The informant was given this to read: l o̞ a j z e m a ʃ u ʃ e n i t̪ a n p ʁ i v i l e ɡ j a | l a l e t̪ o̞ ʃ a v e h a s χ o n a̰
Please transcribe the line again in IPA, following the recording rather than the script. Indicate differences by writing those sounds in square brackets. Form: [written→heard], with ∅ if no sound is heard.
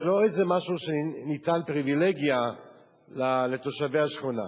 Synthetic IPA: l o̞ [a→e] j z e m a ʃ u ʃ e n i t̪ a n p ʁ i v i l e ɡ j a | l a l e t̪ o̞ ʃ a v e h a [s→ʃ] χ o n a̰

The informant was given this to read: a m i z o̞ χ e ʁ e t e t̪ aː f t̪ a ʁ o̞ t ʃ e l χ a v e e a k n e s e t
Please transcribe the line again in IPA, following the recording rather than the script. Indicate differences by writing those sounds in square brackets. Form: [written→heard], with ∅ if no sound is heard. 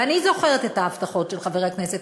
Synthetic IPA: a [m→n] i z o̞ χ e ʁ e t e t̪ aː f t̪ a [ʁ→χ] o̞ t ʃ e l χ a v e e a k n e s e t

